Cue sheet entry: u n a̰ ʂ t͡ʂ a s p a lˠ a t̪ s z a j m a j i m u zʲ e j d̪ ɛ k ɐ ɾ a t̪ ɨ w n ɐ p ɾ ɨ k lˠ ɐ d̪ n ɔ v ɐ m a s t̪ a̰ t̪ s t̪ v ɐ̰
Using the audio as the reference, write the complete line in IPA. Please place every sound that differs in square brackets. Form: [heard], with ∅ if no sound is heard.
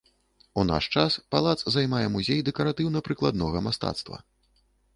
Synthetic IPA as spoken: u n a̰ ʂ t͡ʂ a s p a lˠ a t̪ s z a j m a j [ɛ] m u zʲ e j d̪ ɛ k ɐ ɾ a t̪ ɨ w n ɐ p ɾ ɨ k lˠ [a] d̪ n ɔ [ɣ] ɐ m a s t̪ a̰ t̪ s t̪ v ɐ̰